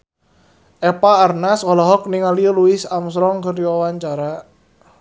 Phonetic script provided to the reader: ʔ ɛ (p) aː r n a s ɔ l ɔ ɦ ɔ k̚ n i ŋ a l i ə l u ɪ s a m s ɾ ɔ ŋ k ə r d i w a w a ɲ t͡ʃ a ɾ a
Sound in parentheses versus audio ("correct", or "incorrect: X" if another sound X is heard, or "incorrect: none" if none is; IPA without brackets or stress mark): correct